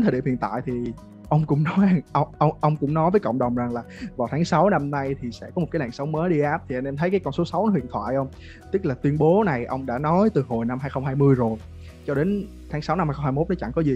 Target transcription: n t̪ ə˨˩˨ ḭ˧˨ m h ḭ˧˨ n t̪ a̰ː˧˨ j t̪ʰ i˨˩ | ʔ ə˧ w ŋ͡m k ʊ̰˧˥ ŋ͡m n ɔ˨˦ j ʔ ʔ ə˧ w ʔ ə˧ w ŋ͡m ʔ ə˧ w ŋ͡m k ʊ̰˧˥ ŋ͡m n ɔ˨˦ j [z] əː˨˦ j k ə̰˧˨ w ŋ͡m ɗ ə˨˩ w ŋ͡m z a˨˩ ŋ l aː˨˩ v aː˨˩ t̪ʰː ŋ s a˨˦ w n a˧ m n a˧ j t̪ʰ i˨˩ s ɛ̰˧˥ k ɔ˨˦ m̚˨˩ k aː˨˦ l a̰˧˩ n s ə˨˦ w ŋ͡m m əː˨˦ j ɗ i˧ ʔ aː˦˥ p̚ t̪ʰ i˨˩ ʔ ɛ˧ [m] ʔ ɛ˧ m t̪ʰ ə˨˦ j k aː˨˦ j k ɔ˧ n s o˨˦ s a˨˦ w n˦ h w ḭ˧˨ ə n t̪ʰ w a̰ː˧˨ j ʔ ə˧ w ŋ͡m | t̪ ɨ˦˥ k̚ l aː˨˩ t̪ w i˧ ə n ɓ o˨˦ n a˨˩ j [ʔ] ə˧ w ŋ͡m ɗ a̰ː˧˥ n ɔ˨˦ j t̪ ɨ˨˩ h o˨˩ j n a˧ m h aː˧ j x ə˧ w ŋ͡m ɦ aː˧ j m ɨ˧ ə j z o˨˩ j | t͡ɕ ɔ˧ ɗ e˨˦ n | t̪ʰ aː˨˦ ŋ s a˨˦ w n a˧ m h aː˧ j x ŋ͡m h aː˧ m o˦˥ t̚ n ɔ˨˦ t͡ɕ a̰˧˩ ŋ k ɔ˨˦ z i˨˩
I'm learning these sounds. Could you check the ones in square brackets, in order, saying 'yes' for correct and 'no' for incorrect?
no, no, yes

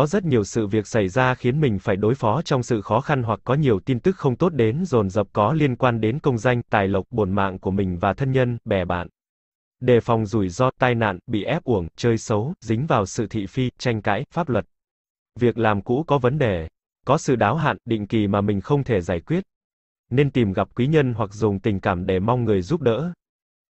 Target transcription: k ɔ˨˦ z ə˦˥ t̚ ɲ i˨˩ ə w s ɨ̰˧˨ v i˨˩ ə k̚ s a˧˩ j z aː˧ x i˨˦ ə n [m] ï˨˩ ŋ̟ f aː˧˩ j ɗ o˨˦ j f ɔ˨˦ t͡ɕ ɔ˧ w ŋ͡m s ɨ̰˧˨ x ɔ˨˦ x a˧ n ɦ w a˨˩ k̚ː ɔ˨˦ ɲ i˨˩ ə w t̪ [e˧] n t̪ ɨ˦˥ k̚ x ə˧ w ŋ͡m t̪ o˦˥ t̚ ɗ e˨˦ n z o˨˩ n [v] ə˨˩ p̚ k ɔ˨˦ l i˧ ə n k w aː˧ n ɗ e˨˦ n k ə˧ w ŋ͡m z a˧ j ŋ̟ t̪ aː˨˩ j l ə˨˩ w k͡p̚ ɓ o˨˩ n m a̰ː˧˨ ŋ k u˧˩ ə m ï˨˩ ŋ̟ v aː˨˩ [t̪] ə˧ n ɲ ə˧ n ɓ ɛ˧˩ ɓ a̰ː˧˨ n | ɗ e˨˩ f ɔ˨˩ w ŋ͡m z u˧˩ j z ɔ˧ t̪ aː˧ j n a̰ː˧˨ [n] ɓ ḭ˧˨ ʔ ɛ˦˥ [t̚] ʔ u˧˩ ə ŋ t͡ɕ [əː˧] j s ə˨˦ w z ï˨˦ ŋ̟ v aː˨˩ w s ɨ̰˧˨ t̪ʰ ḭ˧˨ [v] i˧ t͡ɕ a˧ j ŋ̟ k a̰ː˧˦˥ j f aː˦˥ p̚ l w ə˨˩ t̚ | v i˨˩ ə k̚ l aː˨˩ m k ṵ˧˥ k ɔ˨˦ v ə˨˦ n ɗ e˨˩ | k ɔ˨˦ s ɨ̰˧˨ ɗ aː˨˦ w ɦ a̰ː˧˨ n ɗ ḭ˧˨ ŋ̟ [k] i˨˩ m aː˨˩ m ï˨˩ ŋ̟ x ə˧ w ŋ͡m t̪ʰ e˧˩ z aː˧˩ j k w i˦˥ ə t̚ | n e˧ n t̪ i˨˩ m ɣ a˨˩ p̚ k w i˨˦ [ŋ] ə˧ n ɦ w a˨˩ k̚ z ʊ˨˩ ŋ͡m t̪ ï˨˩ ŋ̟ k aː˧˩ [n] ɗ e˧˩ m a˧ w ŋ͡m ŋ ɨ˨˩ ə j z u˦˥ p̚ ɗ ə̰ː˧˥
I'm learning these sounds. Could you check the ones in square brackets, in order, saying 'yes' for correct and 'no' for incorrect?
yes, no, no, no, yes, no, yes, no, yes, no, no

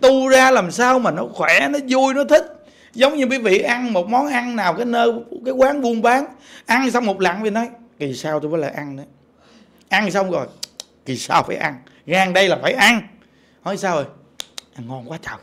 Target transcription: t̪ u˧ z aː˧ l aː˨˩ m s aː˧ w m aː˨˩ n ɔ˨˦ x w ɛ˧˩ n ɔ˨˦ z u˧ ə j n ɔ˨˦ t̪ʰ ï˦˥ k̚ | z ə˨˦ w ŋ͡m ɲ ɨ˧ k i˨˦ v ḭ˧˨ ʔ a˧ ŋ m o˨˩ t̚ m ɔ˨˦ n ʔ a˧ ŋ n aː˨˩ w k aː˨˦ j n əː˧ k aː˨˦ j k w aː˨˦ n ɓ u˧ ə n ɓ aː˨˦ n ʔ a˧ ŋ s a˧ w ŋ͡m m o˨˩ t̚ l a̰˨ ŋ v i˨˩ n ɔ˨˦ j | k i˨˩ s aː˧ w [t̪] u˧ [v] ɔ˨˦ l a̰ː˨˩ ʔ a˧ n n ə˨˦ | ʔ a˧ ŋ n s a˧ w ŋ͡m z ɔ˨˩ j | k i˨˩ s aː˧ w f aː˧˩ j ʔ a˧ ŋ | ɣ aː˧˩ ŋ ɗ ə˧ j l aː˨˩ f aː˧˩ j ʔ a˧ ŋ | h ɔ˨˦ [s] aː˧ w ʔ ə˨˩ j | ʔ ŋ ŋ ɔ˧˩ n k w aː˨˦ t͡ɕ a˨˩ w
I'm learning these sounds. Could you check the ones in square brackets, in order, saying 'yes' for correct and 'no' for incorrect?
yes, yes, yes

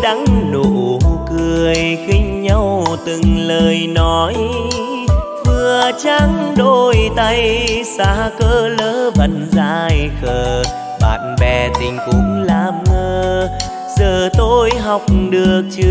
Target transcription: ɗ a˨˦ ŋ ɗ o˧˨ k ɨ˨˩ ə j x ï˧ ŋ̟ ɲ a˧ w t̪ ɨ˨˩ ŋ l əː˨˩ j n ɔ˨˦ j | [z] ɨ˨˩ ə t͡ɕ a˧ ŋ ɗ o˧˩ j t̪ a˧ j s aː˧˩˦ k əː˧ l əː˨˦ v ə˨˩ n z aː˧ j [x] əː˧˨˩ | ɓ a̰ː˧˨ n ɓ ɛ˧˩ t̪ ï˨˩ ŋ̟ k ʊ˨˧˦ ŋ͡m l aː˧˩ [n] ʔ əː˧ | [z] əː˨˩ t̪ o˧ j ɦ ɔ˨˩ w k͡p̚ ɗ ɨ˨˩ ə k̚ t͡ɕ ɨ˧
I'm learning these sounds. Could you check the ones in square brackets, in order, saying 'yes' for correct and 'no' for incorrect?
no, yes, no, yes

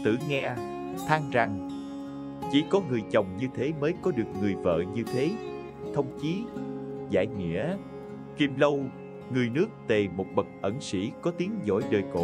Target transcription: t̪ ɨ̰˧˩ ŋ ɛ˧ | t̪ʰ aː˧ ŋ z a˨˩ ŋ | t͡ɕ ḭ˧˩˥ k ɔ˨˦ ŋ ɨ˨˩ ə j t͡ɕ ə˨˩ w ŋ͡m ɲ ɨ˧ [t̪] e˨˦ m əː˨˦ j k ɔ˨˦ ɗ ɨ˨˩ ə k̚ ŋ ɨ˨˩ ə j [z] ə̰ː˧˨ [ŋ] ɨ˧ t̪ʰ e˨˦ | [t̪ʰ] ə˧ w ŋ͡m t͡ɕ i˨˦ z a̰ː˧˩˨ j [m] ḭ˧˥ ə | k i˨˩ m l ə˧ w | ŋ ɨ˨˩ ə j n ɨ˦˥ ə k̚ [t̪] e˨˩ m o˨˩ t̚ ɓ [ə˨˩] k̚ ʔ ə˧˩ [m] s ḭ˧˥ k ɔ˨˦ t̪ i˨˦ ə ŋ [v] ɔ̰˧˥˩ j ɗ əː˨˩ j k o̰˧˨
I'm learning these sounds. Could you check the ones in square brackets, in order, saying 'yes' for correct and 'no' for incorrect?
no, no, no, yes, no, yes, yes, no, no

